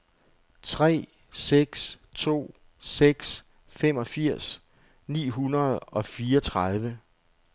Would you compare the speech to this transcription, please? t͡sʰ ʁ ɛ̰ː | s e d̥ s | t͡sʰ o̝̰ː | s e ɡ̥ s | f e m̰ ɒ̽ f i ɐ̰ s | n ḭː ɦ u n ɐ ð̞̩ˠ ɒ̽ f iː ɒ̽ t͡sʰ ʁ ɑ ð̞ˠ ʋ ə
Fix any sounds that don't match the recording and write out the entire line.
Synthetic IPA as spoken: t͡sʰ ʁ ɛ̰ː | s e ɡ̥ s | t͡sʰ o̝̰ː | s e ɡ̥ s | f e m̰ ɒ̽ f i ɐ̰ s | n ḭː ɦ u n ɐ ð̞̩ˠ ɒ̽ f iː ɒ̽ t͡sʰ ʁ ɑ ð̞ˠ ʋ ə

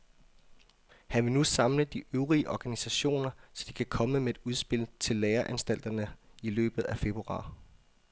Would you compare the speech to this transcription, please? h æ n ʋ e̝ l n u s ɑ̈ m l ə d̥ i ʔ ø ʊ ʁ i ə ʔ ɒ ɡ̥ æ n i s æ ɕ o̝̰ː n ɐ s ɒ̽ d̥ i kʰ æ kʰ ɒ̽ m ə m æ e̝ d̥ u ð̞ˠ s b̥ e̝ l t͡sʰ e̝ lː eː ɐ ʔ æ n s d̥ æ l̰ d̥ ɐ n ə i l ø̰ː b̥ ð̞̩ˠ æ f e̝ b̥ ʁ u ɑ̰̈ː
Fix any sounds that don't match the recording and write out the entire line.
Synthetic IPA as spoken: h æ n ʋ e̝ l n u s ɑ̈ m l ə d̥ i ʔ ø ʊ ʁ i ə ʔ ɒ ɡ̥ æ n i s æ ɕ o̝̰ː n ɐ s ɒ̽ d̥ i kʰ æ kʰ ɒ̽ m ə m e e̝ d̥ u ð̞ˠ s b̥ e̝ l t͡sʰ e̝ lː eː ɐ ʔ æ n s d̥ æ l̰ d̥ ɐ n ə i l ø̰ː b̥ ð̞̩ˠ æ f e̝ b̥ ʁ u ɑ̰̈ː

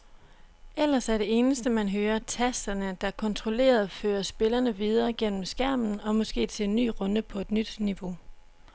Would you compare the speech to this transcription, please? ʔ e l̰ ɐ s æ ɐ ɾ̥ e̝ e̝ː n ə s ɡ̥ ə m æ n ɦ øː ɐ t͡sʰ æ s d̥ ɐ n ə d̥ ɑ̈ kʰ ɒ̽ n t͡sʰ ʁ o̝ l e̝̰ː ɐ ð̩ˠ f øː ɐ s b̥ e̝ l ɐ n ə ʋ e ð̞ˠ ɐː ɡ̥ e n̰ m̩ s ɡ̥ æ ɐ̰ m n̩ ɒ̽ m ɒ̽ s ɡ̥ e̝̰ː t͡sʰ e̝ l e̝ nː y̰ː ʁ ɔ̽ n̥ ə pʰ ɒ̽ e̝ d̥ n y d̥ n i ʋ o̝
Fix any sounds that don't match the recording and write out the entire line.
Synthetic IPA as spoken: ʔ e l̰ ɐ s æ ɐ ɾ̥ e̝ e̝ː n ə s d̥ ə m æ n ɦ øː ɐ t͡sʰ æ s d̥ ɐ n ə d̥ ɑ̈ kʰ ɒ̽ n t͡sʰ ʁ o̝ l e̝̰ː ɐ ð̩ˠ f øː ɐ s b̥ e̝ l ɐ n ə ʋ i ð̞ˠ ɐː ɡ̥ e n̰ m̩ s ɡ̥ æ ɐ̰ m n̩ ɒ̽ m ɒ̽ s ɡ̥ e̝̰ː t͡sʰ e̝ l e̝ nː y̰ː ʁ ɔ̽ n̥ ə pʰ ɒ̽ e̝ d̥ n y d̥ n i ʋ o̝

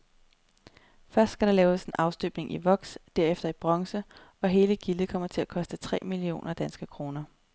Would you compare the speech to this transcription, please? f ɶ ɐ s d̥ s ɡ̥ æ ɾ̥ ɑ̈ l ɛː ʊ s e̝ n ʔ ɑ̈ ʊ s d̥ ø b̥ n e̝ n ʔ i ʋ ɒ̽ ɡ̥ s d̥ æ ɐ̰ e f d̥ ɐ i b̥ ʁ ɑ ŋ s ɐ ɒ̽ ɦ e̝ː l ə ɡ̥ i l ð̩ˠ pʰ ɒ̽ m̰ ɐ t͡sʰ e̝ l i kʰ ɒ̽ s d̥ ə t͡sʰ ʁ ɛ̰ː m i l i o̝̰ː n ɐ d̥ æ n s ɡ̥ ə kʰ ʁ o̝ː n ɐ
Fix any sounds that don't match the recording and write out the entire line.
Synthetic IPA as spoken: f ɶ ɐ s d̥ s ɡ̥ æ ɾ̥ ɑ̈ l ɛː ʊ s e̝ n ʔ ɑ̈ ʊ s d̥ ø b̥ n e̝ ŋ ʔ i ʋ ɒ̽ ɡ̥ s d̥ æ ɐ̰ e f d̥ ɐ i b̥ ʁ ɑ ŋ s ə ɒ̽ ɦ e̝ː l ə ɡ̥ i l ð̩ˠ kʰ ɒ̽ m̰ ɐ t͡sʰ e̝ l æ kʰ ɒ̽ s d̥ ə t͡sʰ ʁ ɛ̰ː m i l i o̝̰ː n ɐ d̥ æ n s ɡ̥ ə kʰ ʁ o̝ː n ɐ

